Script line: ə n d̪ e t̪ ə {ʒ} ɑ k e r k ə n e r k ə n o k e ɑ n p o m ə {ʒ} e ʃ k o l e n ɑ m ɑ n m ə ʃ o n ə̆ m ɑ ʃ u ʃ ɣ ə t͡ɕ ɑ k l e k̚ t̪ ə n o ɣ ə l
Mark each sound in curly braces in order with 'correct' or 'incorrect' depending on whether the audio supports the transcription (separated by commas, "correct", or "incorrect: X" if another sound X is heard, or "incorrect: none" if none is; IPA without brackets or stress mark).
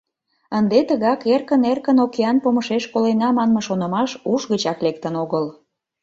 incorrect: ɣ, incorrect: ʃ